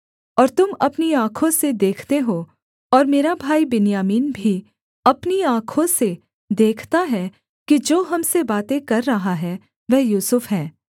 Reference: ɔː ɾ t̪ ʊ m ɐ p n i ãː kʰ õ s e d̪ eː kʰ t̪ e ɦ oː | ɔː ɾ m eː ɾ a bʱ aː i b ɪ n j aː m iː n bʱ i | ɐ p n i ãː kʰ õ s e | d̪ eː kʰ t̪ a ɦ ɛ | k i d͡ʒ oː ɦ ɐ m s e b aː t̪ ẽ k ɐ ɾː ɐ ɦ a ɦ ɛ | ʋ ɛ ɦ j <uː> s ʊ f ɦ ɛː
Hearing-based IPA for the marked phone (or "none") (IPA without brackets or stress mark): uː